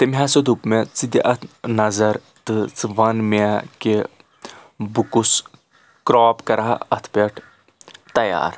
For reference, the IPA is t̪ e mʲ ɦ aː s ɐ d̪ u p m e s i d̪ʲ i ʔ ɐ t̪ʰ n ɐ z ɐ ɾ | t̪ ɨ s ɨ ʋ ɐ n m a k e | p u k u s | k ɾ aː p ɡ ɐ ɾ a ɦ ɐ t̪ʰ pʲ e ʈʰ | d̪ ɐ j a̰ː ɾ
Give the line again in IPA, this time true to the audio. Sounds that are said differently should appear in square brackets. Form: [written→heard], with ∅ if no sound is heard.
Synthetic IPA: t̪ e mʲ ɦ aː s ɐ d̪ u p m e [s→t͡s] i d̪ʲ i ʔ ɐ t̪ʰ n ɐ z ɐ ɾ | t̪ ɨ [s→t͡s] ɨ ʋ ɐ n m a k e | [p→b] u k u s | k ɾ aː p [ɡ→k] ɐ ɾ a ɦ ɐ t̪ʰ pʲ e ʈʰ | [d̪→t̪] ɐ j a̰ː ɾ